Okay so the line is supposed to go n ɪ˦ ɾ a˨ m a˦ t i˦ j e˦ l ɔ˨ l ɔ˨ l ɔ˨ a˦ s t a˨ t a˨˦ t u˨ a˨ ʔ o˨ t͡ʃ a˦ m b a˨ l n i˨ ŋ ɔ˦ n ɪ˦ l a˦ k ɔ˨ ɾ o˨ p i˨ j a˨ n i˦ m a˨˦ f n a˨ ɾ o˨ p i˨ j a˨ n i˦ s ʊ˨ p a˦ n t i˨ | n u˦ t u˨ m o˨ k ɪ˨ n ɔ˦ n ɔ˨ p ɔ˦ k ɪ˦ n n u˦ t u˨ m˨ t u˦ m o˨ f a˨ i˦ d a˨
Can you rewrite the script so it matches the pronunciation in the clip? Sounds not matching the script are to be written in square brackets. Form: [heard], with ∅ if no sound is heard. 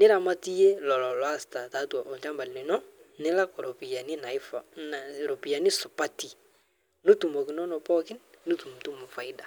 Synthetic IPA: n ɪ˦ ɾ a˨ m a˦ t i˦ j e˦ l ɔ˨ l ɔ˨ l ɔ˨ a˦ s t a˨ t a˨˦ t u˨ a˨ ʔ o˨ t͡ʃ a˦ m b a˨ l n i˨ [n] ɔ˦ n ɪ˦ l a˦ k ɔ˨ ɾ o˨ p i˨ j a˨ n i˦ [n] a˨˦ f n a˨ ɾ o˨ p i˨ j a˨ n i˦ s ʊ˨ p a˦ [∅] t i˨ | n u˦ t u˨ m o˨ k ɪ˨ n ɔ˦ n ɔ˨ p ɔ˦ k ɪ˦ n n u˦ t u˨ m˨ t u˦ m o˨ f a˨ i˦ d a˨

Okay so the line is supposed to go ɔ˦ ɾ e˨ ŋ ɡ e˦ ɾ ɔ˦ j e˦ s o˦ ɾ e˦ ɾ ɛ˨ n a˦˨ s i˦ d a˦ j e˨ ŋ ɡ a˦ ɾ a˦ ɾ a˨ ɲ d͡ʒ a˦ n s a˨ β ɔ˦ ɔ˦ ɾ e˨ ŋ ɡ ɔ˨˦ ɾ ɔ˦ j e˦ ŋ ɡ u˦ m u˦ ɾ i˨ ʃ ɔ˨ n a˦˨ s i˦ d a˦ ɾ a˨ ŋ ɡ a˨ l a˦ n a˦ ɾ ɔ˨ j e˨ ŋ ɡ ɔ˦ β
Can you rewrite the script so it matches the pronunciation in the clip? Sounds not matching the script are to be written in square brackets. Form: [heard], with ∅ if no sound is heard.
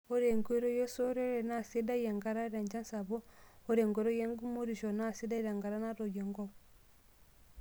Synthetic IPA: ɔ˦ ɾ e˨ ŋ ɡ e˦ ɾ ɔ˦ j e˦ s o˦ ɾ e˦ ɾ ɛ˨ n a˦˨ s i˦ d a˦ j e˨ ŋ ɡ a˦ ɾ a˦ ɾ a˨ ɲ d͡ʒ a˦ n s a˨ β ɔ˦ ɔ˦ ɾ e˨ ŋ ɡ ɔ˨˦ ɾ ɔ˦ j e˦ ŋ ɡ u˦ m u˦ ɾ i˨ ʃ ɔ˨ n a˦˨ s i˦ d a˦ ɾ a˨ ŋ ɡ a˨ [ɾ] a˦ n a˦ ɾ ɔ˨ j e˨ ŋ ɡ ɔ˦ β

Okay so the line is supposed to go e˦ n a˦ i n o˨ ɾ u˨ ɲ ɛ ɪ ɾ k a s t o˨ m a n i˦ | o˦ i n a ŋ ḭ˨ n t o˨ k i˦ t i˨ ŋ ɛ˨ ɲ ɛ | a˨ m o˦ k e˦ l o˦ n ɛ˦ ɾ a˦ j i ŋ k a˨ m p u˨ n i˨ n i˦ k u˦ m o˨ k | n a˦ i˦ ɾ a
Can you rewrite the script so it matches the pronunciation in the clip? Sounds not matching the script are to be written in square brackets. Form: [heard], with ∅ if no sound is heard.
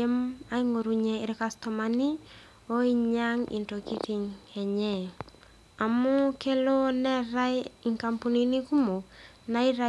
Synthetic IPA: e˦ [m] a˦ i [ŋ] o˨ ɾ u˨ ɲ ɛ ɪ ɾ k a s t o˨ m a n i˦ | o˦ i [ɲ] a ŋ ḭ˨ n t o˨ k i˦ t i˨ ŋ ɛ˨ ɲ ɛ | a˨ m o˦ k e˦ l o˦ n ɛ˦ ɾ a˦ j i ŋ k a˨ m p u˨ n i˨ n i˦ k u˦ m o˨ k | n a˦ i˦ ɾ a

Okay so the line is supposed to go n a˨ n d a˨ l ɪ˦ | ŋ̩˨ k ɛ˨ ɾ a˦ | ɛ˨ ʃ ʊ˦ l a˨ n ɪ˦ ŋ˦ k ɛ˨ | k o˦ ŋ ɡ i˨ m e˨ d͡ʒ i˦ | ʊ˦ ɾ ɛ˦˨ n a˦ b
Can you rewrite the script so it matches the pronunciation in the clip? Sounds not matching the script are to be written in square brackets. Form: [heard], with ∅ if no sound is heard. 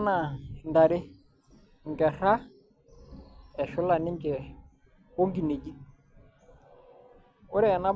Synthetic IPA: n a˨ n d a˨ [ɾ] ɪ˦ | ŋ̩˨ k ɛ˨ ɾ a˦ | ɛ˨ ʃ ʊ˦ l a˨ n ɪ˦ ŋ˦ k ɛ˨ | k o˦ ŋ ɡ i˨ [n] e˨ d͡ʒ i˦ | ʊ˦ ɾ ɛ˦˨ n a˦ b

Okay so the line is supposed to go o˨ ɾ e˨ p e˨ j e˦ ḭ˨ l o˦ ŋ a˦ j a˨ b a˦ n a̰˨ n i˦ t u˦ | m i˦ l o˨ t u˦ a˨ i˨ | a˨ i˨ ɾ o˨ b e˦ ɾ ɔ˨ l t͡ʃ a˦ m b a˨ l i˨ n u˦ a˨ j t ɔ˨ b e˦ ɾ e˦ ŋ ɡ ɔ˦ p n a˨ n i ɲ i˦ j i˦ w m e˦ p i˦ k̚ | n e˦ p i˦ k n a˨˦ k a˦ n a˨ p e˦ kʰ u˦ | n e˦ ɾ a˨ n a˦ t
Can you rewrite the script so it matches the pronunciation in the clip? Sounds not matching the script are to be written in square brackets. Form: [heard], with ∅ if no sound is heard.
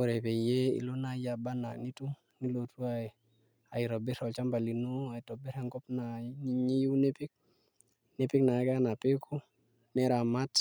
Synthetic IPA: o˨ ɾ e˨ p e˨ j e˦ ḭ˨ l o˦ [n] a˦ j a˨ b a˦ n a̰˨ n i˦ t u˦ | [n] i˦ l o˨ t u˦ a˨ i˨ | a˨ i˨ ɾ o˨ b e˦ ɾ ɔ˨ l t͡ʃ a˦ m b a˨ l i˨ n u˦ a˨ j t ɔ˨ b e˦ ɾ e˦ ŋ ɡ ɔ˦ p n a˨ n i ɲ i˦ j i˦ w [n] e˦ p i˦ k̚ | n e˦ p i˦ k n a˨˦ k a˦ n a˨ p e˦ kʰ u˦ | n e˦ ɾ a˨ [m] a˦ t

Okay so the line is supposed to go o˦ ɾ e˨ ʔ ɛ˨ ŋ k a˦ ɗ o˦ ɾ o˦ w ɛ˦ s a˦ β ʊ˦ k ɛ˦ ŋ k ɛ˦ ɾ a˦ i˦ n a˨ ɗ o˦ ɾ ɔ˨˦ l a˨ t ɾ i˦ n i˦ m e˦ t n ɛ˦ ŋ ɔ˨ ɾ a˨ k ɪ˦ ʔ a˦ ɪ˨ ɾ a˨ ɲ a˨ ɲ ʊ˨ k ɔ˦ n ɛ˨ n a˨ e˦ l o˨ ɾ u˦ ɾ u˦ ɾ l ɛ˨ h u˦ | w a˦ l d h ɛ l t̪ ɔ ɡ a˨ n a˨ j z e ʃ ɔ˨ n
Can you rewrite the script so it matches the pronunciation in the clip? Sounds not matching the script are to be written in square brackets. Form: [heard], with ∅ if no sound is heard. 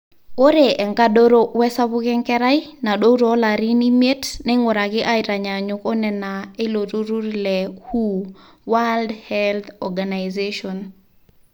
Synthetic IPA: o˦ ɾ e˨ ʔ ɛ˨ ŋ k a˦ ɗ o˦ ɾ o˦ w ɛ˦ s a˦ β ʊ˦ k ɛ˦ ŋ k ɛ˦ ɾ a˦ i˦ n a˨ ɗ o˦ ɾ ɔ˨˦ l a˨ [∅] ɾ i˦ n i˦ m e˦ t n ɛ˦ ŋ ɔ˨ ɾ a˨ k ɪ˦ ʔ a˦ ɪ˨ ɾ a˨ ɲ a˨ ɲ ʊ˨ k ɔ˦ n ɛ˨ n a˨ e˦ l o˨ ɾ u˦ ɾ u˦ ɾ l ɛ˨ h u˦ | w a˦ l d h ɛ l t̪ ɔ ɡ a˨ n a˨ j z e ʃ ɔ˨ n

